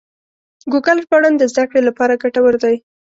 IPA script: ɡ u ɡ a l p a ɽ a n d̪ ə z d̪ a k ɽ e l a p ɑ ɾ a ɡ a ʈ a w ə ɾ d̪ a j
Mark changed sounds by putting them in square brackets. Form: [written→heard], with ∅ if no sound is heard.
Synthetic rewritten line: ɡ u ɡ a l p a ɽ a n d̪ ə z d̪ a k ɽ e l a p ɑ ɾ a ɡ a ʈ a w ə ɾ d̪ a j